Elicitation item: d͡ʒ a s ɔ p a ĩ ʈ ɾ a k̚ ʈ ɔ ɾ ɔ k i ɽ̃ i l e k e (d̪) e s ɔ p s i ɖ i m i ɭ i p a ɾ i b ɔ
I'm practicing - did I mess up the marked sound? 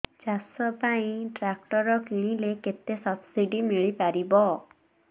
yes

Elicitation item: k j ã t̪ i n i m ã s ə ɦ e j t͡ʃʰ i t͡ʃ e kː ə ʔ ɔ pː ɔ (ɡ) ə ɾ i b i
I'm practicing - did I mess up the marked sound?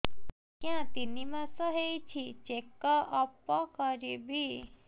yes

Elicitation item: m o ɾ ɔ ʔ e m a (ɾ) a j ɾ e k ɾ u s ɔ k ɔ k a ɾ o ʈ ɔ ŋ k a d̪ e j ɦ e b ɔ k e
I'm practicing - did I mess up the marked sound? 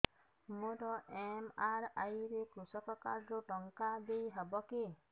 no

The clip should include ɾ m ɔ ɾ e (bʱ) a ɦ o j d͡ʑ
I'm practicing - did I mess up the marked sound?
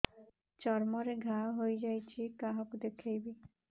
yes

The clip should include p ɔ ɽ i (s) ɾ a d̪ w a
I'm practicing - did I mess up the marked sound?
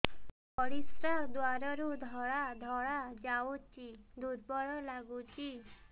no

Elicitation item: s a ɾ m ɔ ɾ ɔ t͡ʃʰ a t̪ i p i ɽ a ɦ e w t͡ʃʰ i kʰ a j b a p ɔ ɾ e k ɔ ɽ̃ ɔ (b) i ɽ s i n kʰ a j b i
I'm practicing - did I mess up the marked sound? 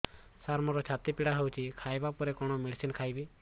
yes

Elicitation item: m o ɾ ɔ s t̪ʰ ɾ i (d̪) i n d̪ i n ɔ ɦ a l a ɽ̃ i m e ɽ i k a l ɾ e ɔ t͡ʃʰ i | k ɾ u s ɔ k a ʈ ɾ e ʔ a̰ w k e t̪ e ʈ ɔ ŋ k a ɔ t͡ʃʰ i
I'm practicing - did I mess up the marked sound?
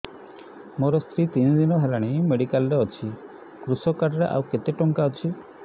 yes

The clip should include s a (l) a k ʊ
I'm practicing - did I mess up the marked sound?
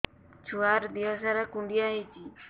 yes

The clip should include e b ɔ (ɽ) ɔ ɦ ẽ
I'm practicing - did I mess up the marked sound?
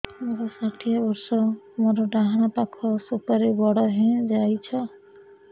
no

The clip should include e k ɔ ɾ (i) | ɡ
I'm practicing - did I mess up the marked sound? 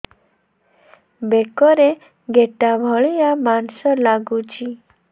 yes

